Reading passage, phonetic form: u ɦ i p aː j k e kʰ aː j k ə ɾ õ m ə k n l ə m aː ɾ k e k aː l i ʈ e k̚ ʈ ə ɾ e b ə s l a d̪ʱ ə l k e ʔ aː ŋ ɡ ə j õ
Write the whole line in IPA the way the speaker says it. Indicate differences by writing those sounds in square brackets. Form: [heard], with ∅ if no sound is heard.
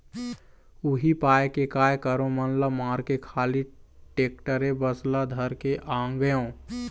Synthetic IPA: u ɦ i p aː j k e [k] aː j k ə ɾ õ m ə [∅] n l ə m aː ɾ k e [kʰ] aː l i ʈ e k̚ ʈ ə ɾ e b ə s l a d̪ʱ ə [ɾ] k e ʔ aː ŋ ɡ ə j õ